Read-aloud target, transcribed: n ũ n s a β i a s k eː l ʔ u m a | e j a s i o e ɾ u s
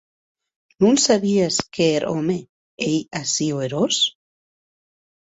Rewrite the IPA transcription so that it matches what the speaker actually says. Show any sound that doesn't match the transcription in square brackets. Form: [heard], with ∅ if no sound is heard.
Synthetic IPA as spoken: n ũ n s a β i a s k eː [ɾ] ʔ [o] m [e] | e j a s i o e ɾ [o] s